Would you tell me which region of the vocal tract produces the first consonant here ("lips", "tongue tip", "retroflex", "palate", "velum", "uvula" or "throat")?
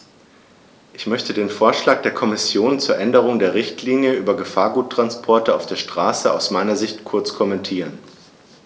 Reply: throat